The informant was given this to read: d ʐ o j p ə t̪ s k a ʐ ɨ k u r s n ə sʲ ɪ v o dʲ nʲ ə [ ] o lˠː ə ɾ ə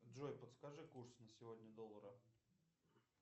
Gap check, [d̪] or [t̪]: d̪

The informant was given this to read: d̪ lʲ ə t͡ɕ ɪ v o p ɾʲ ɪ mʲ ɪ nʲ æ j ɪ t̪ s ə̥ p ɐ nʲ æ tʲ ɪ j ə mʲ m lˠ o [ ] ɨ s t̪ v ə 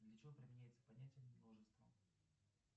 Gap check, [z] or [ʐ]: ʐ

